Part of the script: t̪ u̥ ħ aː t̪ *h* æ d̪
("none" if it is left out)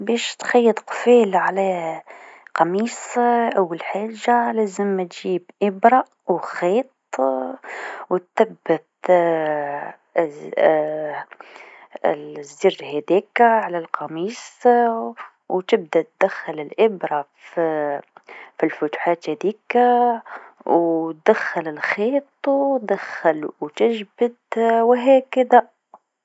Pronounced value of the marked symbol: h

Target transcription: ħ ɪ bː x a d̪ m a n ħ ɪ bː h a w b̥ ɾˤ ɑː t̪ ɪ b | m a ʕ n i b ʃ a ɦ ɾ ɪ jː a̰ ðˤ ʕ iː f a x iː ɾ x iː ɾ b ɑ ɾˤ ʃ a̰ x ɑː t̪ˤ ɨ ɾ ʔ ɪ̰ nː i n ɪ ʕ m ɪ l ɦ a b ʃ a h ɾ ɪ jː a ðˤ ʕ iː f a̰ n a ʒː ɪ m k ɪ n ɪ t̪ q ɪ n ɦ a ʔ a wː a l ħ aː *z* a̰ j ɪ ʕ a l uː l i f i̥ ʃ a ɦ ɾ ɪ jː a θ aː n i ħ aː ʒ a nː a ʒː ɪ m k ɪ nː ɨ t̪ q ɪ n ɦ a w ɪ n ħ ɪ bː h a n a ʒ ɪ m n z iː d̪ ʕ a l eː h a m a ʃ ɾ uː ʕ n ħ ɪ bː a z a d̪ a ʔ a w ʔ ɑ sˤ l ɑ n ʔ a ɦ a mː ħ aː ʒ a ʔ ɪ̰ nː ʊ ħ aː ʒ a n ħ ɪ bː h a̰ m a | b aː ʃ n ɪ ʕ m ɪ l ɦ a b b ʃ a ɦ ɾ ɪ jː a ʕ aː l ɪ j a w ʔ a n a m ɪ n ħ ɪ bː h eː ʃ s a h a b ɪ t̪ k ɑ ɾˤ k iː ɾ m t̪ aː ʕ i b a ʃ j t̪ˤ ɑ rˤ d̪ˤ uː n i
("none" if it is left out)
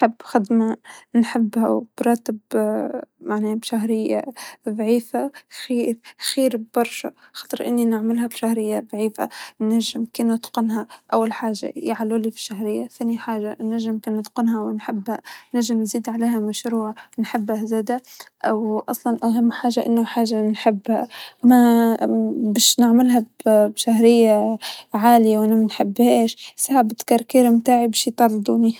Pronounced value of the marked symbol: ʒ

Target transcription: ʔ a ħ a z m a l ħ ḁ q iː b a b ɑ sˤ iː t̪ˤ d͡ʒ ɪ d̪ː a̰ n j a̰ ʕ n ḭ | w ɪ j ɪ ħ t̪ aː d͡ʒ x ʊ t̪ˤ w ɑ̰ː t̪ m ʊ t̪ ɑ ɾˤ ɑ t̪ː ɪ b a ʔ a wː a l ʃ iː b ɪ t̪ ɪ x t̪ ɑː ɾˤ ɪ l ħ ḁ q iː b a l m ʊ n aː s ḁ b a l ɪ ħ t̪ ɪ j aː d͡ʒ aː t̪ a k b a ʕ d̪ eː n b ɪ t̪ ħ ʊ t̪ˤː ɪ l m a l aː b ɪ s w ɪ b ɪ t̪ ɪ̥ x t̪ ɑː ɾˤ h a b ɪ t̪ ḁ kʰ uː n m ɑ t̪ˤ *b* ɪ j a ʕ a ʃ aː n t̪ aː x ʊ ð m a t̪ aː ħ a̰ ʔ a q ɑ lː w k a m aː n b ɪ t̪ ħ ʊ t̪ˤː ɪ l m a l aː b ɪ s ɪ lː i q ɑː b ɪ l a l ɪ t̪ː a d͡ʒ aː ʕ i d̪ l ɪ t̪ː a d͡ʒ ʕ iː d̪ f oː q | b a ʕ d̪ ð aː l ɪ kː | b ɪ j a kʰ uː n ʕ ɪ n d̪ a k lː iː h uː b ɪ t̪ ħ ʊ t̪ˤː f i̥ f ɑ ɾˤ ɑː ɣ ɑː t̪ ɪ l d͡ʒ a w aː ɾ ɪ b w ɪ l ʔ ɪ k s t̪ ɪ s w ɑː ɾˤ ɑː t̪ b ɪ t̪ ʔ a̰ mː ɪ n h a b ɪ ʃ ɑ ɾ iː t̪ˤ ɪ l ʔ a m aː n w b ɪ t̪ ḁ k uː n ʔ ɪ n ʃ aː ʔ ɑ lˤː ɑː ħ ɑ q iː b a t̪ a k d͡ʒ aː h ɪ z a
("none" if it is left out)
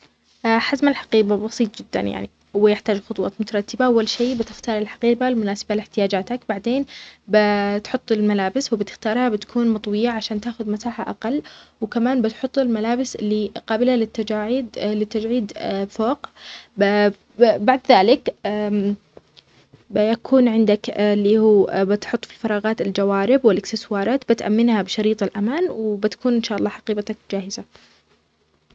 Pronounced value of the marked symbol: w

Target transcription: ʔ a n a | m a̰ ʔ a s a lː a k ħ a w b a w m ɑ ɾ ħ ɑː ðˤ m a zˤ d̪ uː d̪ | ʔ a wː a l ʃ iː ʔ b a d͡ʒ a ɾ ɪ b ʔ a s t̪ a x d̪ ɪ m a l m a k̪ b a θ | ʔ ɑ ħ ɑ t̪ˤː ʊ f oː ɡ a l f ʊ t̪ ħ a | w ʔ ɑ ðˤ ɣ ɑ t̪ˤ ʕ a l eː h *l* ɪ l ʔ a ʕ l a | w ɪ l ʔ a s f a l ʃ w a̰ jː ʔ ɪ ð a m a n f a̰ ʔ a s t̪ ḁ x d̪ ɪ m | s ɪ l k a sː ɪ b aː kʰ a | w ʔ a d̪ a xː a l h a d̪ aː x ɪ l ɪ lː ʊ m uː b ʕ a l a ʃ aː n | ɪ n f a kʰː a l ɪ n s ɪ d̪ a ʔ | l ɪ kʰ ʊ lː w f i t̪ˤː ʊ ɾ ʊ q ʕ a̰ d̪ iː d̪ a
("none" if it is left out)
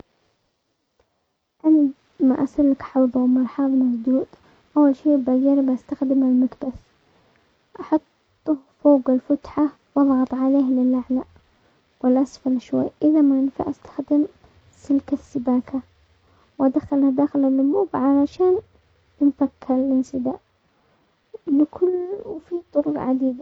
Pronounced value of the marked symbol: l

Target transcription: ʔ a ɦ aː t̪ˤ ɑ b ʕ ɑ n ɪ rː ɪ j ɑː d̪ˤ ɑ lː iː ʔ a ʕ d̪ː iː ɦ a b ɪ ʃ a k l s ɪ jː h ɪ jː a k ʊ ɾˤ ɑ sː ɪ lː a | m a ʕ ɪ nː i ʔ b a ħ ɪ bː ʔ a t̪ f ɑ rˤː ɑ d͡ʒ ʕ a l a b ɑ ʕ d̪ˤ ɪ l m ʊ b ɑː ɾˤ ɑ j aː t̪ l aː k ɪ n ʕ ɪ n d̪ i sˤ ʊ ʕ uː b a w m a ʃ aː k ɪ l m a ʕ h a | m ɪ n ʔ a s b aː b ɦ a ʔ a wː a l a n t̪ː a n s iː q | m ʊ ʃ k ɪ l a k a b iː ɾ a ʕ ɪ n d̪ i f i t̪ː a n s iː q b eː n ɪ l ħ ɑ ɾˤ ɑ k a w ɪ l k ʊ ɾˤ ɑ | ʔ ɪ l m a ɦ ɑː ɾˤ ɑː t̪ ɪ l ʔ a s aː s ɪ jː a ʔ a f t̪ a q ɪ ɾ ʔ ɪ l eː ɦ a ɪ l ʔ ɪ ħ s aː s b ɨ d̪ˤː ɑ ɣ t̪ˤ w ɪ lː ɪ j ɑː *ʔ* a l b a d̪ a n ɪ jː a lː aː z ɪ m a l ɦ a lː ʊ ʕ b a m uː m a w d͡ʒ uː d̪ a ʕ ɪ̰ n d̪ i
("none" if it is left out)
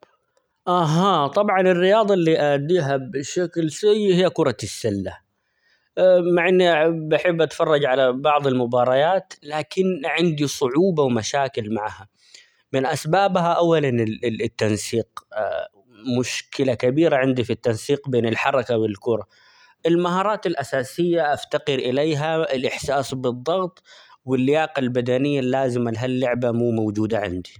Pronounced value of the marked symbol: q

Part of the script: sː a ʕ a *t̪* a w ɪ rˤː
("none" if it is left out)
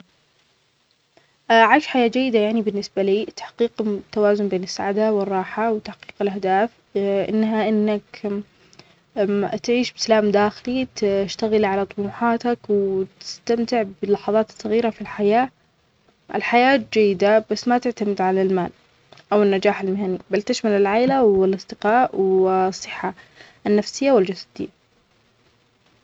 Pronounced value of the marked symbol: d̪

